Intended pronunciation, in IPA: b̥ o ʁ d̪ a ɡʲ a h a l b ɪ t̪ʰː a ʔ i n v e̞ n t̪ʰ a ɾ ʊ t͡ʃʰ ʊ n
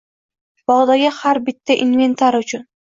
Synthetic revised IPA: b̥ ɒ ʁ d̪ a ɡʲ a h a ɾ b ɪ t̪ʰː a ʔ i n v e̞ n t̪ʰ a ɾ ʊ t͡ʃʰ ʊ n